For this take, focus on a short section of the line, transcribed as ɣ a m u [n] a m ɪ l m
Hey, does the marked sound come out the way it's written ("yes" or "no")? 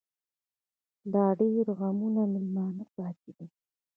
yes